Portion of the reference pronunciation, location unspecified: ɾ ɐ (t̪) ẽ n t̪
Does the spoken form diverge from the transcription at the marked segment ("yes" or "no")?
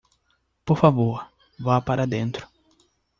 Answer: yes